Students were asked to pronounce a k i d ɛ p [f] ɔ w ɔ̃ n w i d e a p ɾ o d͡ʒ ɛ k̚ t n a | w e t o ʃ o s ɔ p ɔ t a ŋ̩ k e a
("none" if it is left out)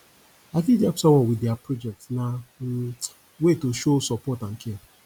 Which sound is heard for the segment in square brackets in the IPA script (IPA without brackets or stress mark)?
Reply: s